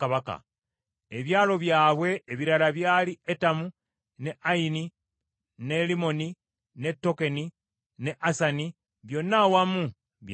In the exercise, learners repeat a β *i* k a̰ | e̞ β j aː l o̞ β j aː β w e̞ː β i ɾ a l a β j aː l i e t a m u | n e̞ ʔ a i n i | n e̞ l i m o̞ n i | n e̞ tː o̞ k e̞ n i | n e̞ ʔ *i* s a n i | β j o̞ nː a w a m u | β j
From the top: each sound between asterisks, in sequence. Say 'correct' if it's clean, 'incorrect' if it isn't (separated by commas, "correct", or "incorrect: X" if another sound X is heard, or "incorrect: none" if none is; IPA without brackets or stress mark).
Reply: incorrect: a, incorrect: a